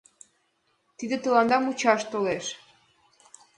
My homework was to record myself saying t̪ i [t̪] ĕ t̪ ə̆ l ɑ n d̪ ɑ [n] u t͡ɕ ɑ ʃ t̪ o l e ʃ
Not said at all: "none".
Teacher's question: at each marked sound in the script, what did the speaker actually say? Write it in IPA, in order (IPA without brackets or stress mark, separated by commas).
d̪, m